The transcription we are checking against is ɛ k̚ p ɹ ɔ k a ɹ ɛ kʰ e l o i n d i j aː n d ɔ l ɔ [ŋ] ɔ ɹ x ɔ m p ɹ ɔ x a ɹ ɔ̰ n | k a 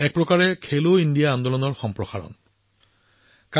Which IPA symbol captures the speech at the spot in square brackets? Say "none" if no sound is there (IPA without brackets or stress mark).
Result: n